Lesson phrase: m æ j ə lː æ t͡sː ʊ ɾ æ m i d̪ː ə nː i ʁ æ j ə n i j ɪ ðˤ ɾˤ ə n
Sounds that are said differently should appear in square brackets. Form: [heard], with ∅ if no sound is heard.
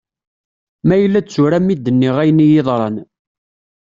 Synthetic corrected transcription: m æ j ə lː æ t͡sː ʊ ɾ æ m i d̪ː ə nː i ʁ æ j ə n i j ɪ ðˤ ɾˤ [ɑ] n

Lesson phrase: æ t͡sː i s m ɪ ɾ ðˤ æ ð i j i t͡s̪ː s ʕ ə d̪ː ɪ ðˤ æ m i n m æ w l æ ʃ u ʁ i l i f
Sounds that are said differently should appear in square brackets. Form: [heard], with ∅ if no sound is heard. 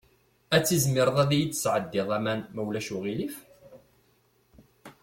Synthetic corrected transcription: æ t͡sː i [z] m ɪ ɾ ðˤ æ ð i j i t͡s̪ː s ʕ ə d̪ː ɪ ðˤ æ m [æ] n m æ w l æ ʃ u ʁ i l i f

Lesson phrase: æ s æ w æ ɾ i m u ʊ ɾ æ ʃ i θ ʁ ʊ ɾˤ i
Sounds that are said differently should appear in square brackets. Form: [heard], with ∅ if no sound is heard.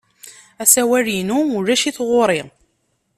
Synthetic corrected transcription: æ s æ w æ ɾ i [n] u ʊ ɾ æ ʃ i θ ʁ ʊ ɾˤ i

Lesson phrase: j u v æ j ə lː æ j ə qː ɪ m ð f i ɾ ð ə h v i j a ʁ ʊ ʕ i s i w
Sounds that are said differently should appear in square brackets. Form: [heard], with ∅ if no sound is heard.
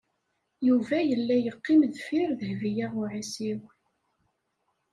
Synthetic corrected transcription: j u v æ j ə lː æ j ə qː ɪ m ð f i ɾ ð ə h v i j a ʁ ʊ ʕ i s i w

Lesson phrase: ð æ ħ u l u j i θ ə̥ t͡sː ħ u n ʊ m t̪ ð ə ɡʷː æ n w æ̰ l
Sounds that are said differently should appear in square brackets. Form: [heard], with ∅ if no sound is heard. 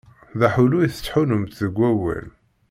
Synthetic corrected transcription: ð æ ħ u l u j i θ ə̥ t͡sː ħ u n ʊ m t̪ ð ə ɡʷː æ [∅] w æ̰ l

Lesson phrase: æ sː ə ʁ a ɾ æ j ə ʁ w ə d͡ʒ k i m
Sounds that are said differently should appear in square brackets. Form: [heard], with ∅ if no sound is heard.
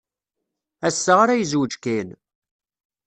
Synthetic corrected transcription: æ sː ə ʁ a ɾ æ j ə [z] w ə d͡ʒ k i [n]

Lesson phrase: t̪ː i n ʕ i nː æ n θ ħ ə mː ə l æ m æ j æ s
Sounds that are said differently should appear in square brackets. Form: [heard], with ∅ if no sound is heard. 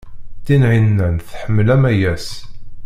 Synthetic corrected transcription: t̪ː i n ʕ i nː æ n θ ħ ə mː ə l æ m æ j æ s

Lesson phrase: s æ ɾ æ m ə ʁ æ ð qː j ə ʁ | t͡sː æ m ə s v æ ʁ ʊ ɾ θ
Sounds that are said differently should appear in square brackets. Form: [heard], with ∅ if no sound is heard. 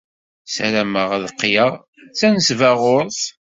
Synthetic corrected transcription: s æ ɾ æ m ə ʁ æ ð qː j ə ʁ | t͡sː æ [n] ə s v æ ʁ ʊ ɾ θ

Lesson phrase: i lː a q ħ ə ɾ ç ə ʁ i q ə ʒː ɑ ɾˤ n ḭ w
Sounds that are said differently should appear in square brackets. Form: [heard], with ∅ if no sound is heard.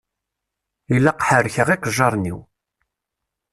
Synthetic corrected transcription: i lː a q ħ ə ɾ ç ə ʁ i q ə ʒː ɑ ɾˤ n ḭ w

